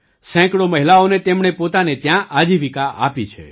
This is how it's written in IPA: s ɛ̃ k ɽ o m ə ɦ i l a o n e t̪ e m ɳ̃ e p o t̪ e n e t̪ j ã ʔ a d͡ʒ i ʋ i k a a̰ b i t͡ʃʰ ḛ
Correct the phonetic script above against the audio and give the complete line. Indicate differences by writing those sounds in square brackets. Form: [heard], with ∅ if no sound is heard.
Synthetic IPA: s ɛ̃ k ɽ o m ə ɦ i l a o n e t̪ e m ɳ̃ e p o t̪ [a] n e t̪ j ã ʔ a d͡ʒ i ʋ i k a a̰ [p] i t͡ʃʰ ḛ